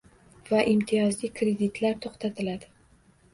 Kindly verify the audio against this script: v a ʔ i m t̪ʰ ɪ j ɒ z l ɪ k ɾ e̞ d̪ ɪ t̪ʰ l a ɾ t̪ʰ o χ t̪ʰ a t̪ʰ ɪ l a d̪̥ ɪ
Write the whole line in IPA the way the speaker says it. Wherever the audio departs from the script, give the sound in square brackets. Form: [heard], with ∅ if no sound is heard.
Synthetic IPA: v a ʔ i m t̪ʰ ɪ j ɒ z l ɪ k ɾ e̞ d̪ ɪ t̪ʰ l a ɾ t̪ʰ o χ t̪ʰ a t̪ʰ ɪ l a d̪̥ ɪ